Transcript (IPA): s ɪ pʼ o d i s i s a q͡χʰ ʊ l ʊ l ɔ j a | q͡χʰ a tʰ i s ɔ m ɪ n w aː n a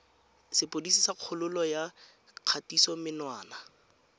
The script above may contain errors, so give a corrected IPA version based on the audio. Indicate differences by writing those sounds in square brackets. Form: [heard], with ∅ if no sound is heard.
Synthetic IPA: s ɪ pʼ o d i s i s a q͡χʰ ʊ l ʊ l ɔ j a | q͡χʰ a [t] i s ɔ m ɪ n w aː n a